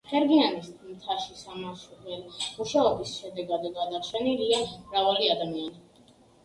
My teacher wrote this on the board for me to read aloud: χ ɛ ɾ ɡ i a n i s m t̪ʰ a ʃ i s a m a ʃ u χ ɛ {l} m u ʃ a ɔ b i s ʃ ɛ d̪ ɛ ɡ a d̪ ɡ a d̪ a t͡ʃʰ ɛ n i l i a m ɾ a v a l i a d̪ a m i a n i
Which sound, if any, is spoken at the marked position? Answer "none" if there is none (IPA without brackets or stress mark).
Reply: l